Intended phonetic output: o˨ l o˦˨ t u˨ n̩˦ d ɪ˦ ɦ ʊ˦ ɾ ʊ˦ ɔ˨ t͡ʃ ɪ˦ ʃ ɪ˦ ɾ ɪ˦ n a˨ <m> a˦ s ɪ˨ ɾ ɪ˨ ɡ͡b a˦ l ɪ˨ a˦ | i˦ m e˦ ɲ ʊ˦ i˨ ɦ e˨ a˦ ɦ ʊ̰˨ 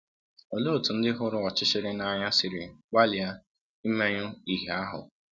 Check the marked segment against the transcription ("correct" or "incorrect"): incorrect